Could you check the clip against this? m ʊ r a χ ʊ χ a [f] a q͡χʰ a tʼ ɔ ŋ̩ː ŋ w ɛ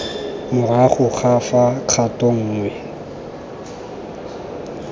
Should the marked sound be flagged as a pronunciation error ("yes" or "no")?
no